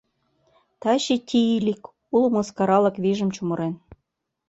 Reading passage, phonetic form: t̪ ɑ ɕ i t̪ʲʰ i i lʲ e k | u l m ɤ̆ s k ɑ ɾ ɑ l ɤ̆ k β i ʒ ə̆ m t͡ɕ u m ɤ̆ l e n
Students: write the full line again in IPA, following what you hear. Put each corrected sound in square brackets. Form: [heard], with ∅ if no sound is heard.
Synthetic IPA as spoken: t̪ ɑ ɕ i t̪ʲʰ i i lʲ [i] k | u l m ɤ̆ s k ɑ ɾ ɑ l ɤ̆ k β i ʒ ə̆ m t͡ɕ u m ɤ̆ [ɾ] e n